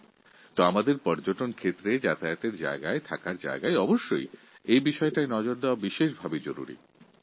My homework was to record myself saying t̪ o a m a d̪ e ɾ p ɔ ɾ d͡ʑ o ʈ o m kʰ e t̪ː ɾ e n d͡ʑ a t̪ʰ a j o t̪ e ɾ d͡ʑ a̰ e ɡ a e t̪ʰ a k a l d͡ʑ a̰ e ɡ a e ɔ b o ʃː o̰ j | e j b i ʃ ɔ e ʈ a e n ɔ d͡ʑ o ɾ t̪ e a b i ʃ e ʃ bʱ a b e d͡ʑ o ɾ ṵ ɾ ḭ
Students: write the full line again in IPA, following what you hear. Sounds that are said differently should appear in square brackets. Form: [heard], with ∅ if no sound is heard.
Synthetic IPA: t̪ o a m a d̪ e ɾ p ɔ ɾ d͡ʑ o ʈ o [n] kʰ e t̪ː ɾ e [∅] d͡ʑ a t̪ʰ a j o t̪ e ɾ d͡ʑ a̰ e ɡ a e t̪ʰ a k a [ɾ] d͡ʑ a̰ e ɡ a e ɔ b o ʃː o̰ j | e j b i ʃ ɔ e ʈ a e n ɔ d͡ʑ o ɾ [d̪] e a b i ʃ e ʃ bʱ a b e d͡ʑ o ɾ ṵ ɾ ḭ